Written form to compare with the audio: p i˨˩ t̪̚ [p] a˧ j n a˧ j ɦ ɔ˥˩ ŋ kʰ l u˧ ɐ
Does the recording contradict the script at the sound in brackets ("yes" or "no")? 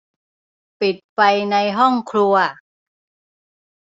no